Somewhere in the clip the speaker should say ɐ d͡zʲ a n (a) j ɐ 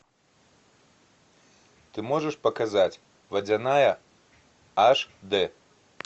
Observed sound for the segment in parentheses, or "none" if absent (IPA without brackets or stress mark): a